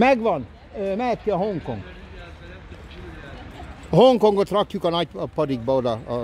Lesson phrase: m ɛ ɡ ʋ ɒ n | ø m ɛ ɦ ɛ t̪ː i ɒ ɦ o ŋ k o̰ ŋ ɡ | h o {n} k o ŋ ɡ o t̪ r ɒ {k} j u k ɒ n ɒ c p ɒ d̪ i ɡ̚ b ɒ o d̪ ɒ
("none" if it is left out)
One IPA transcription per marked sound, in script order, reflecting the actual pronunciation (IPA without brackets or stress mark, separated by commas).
ŋ, k